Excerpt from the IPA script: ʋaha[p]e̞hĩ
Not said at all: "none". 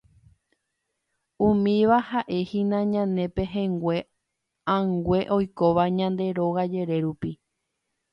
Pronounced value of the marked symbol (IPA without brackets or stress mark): ʔ